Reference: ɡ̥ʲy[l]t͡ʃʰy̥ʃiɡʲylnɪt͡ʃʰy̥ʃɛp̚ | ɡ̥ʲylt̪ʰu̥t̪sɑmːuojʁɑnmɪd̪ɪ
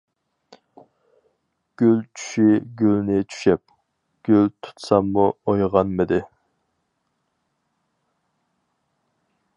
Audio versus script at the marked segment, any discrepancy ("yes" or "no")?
no